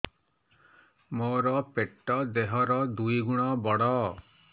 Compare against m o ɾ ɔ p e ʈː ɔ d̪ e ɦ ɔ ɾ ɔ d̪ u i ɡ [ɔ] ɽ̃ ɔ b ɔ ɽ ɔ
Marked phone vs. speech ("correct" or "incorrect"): incorrect